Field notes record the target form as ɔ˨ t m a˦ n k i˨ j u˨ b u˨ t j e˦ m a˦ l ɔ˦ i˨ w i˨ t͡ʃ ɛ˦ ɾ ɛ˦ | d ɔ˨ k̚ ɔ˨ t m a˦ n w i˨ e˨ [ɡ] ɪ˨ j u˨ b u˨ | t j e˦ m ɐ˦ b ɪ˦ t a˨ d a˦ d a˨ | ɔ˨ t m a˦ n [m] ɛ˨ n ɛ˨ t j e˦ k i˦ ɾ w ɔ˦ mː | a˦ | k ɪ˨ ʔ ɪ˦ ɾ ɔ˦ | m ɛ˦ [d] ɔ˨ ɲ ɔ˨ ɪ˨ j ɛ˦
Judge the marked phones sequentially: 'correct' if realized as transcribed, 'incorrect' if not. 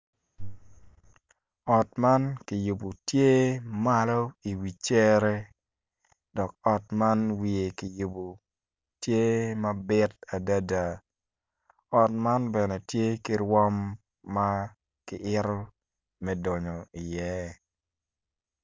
incorrect: k, incorrect: b, correct

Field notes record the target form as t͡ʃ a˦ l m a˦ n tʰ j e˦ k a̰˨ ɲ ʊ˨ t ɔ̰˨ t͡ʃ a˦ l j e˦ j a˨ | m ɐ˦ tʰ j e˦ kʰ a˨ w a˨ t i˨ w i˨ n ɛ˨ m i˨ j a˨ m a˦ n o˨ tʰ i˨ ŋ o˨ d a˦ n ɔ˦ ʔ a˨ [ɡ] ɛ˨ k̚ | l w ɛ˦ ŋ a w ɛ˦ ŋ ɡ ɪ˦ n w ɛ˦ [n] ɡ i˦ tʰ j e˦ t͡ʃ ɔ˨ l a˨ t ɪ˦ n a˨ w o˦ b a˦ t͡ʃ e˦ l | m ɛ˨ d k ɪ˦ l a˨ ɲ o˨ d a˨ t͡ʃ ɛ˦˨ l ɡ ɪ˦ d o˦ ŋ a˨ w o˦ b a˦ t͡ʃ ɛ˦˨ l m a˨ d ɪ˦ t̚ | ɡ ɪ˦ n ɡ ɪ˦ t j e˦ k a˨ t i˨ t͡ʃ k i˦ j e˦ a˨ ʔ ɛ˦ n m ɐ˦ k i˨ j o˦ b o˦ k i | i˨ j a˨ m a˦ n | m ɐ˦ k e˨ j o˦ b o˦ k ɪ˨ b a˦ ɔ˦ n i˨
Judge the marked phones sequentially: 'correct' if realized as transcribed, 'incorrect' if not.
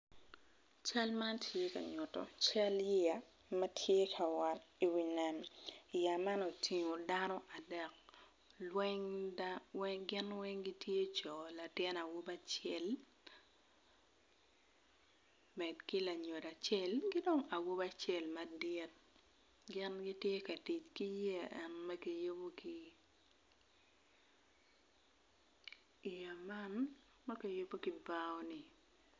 incorrect: d, incorrect: ŋ

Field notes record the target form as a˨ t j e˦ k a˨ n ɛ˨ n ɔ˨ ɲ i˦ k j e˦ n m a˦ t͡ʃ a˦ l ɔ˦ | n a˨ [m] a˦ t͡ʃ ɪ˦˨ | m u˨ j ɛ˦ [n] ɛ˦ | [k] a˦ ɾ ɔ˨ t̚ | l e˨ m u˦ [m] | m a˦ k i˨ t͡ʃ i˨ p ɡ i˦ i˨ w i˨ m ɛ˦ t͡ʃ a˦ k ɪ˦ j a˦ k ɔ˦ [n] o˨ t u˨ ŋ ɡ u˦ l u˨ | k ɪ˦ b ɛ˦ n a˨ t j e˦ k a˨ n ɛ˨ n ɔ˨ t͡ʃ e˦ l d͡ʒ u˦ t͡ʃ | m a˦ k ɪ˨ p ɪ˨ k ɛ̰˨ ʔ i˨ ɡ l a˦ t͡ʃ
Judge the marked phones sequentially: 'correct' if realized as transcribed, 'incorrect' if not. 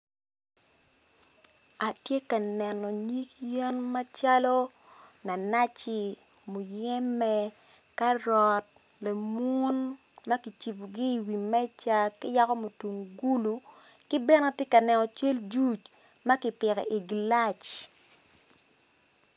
incorrect: n, incorrect: m, correct, incorrect: n, incorrect: m

